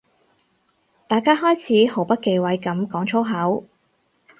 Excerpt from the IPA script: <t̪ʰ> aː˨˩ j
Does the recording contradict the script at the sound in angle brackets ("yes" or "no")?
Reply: yes